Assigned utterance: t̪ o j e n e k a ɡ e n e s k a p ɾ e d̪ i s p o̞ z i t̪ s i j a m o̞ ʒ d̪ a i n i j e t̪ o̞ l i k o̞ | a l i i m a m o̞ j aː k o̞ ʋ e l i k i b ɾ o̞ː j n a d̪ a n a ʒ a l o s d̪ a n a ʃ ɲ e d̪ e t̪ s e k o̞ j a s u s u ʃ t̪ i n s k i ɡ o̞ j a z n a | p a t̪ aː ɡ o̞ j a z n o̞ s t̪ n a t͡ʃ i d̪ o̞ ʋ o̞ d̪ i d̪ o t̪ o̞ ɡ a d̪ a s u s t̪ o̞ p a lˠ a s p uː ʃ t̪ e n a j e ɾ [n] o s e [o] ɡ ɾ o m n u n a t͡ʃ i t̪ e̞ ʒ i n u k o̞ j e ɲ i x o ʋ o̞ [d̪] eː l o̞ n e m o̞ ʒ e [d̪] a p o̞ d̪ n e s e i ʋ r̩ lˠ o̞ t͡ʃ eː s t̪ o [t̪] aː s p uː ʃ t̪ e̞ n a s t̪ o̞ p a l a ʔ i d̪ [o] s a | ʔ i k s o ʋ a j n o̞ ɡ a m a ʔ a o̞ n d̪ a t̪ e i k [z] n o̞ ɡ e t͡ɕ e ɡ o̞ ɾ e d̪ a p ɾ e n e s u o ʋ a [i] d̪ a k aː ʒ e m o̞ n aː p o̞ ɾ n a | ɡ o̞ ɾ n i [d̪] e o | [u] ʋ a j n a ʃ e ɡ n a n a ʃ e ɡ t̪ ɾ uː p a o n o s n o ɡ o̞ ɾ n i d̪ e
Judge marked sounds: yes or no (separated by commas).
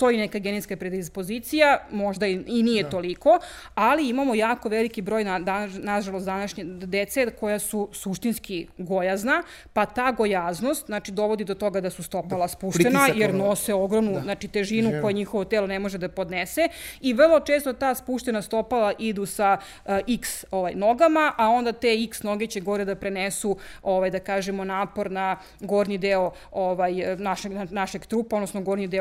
yes, yes, no, yes, yes, no, no, no, yes, no